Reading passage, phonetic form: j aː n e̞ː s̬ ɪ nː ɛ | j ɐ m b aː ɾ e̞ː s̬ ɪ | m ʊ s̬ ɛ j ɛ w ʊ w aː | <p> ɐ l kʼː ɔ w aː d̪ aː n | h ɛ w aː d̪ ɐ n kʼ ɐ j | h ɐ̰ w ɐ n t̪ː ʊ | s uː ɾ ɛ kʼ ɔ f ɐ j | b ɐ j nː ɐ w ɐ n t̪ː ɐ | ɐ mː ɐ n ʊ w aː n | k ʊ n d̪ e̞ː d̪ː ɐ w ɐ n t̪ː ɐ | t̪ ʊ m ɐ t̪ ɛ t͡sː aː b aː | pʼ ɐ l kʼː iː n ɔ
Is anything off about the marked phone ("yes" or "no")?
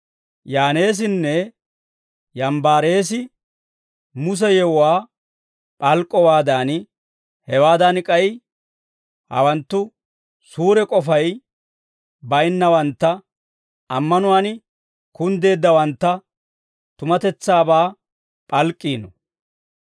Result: yes